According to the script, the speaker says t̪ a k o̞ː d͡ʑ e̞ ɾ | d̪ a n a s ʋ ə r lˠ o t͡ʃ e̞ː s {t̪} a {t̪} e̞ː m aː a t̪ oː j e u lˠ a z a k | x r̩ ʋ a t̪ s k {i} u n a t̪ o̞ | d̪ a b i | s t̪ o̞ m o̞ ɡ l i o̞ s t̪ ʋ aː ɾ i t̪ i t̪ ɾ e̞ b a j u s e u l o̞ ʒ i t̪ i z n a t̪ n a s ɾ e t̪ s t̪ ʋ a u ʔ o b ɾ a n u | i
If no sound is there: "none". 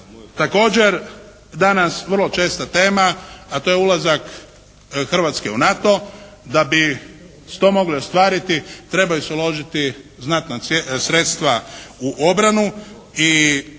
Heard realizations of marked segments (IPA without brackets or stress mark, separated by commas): t̪, t̪, e